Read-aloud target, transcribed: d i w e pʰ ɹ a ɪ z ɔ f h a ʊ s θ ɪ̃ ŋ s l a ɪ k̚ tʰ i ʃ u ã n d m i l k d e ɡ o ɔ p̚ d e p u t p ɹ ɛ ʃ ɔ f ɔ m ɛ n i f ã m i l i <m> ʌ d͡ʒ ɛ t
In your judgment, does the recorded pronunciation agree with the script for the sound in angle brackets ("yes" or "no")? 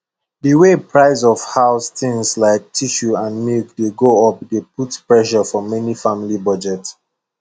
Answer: no